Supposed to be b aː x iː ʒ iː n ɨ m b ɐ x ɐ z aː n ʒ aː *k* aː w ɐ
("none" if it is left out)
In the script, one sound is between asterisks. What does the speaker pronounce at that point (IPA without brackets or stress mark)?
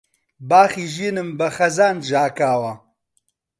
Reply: k